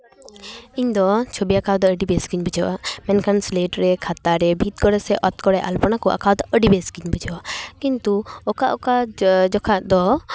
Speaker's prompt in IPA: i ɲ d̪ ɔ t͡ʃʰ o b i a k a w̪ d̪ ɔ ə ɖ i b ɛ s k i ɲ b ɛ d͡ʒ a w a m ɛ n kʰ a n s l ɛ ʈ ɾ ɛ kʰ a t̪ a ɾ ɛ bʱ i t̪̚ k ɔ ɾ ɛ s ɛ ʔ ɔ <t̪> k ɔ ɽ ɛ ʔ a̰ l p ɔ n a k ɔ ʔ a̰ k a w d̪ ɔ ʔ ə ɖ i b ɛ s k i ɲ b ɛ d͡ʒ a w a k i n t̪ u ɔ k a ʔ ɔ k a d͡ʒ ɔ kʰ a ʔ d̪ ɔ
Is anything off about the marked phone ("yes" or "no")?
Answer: no